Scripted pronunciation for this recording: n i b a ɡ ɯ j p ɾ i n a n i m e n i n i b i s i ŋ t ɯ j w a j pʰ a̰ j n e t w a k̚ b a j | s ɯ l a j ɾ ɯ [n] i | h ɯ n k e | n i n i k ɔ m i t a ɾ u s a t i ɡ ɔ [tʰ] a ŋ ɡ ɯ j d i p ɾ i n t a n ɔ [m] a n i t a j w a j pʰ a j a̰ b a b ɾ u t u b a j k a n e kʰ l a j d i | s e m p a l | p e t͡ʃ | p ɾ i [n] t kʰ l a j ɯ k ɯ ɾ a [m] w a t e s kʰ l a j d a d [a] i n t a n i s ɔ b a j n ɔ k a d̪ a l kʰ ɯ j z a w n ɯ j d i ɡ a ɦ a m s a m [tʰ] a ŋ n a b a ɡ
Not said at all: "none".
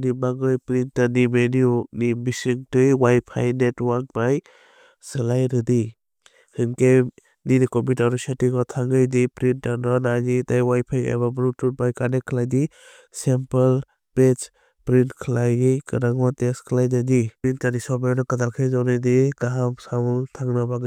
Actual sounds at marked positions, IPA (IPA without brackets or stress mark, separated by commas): d, tʰ, n, n, ŋ, i, tʰ